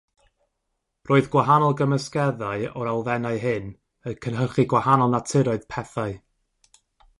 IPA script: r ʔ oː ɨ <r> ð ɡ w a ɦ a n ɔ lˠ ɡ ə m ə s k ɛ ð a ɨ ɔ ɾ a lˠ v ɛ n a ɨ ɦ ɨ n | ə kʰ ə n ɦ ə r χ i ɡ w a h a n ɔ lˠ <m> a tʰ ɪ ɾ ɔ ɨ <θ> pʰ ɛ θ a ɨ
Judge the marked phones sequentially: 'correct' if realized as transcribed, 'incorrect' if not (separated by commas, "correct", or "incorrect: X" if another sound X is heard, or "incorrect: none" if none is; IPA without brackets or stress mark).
incorrect: none, incorrect: n, incorrect: ð